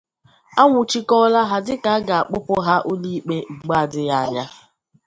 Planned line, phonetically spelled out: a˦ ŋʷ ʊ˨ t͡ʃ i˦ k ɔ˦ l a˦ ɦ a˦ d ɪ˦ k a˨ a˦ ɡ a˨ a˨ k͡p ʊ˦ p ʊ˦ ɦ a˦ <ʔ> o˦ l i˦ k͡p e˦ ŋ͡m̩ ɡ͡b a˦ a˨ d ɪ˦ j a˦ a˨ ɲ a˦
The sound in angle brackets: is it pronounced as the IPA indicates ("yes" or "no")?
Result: yes